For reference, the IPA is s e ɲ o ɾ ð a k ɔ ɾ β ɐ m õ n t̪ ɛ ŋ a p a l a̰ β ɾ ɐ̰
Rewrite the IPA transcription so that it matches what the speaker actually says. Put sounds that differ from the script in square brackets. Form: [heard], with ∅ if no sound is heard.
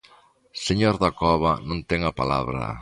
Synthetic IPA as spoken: s e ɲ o ɾ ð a k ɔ [∅] β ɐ [n] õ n t̪ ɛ ŋ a p a l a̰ β ɾ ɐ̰